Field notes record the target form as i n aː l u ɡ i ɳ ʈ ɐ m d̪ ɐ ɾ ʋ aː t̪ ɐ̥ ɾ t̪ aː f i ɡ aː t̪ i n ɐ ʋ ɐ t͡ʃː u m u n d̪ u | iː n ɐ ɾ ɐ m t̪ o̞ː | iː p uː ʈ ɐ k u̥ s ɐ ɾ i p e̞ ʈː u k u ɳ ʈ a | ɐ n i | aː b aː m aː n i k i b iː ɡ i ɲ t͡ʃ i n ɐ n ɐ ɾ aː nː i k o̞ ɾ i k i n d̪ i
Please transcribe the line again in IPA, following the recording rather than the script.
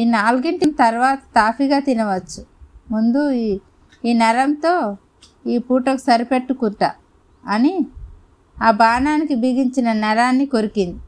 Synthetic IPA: i n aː l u ɡ i ɳ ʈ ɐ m t̪ ɐ ɾ ʋ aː t̪ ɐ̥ t̪ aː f i ɡ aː t̪ i n ɐ ʋ ɐ t͡ʃː u m u n d̪ u | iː n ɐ ɾ ɐ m t̪ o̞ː | iː p uː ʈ ɐ k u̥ s ɐ ɾ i p e̞ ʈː u k u ɳ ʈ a | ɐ n i | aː b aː n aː n i k i b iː ɡ i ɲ t͡ʃ i n ɐ n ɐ ɾ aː nː i k o̞ ɾ i k i n d̪ i